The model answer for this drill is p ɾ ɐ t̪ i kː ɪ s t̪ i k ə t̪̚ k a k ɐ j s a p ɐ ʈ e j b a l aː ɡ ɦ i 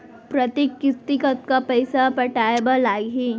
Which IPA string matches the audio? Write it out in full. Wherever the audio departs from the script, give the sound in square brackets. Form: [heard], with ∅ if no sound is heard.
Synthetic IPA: p ɾ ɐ t̪ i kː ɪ s t̪ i k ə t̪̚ k a [p] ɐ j s a p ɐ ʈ [a] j b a l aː ɡ ɦ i

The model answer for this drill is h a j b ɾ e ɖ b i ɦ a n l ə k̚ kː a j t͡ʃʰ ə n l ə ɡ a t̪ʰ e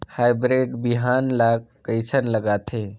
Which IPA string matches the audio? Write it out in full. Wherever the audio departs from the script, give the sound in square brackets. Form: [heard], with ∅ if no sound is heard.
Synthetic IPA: h a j b ɾ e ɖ b i ɦ a n l [a] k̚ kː [ə] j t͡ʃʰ ə n l ə ɡ a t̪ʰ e

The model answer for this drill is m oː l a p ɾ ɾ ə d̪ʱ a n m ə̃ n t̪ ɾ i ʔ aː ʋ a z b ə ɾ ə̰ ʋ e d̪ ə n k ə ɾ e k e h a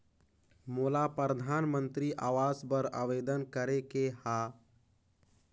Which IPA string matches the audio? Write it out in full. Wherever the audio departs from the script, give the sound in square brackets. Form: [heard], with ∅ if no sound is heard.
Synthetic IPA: m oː l a p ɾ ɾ ə d̪ʱ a n m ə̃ n t̪ ɾ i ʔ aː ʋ a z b ə ɾ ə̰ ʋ e d̪ ə n k ə ɾ e k e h a

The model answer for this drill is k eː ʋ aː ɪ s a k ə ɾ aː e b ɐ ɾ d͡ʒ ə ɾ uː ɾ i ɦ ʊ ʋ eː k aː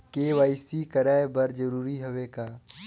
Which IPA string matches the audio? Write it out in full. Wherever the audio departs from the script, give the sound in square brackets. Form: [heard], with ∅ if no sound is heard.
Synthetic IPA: k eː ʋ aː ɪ s [i] k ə ɾ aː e b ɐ ɾ d͡ʒ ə ɾ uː ɾ i ɦ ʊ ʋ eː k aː

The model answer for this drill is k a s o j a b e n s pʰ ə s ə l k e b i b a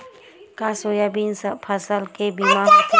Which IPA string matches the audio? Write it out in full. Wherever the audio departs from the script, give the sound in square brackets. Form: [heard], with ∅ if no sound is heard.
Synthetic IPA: k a s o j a b [i] n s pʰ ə s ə l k e b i [m] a

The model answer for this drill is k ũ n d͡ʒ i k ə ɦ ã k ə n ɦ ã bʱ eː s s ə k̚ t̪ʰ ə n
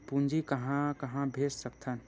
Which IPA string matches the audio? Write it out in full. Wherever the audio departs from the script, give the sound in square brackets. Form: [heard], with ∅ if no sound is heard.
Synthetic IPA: [p] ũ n d͡ʒ i k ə ɦ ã k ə [∅] ɦ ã bʱ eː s s ə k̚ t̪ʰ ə n

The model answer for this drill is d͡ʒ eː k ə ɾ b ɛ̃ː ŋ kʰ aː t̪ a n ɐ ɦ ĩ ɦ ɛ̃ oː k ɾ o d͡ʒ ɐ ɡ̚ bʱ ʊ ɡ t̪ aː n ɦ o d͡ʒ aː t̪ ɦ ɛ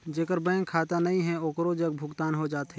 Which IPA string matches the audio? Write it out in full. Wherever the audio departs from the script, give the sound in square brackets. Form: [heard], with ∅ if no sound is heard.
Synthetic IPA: d͡ʒ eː k ə ɾ b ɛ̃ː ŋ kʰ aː t̪ a n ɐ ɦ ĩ ɦ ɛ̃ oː k ɾ o d͡ʒ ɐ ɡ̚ bʱ ʊ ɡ t̪ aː n ɦ o d͡ʒ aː t̪ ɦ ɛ

